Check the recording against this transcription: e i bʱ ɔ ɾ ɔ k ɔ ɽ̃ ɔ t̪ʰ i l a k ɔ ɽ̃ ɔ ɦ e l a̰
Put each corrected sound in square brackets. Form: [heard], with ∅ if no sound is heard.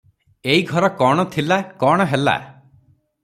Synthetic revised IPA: e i [ɡʱ] ɔ ɾ ɔ k ɔ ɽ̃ ɔ t̪ʰ i l a k ɔ ɽ̃ ɔ ɦ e l a̰

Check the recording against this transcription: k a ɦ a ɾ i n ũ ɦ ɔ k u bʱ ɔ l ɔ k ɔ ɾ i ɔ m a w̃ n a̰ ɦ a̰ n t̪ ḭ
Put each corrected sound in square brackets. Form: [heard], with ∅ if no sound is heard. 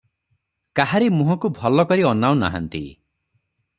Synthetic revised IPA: k a ɦ a ɾ i [m] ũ ɦ ɔ k u bʱ ɔ l ɔ k ɔ ɾ i ɔ [n] a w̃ n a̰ ɦ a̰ n t̪ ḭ

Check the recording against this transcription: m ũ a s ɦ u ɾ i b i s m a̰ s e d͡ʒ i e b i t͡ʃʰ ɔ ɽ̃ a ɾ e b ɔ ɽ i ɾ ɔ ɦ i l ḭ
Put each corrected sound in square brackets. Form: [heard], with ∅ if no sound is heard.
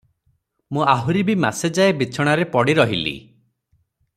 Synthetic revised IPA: m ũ a [∅] ɦ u ɾ i b i [∅] m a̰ s e d͡ʒ [a] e b i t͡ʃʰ ɔ ɽ̃ a ɾ e [p] ɔ ɽ i ɾ ɔ ɦ i l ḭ

